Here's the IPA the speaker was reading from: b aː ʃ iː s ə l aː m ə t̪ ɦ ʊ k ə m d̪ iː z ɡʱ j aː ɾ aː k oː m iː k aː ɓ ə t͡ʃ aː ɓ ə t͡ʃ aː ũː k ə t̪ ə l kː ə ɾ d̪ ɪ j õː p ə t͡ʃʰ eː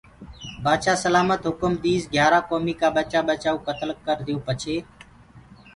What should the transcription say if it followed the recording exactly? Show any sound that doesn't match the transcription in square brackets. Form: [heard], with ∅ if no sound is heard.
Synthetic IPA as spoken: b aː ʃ [aː] s ə l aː m ə t̪ ɦ ʊ k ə m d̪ iː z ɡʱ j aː ɾ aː k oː m iː k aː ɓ ə t͡ʃ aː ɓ ə t͡ʃ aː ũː k ə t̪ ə l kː ə ɾ d̪ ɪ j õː p ə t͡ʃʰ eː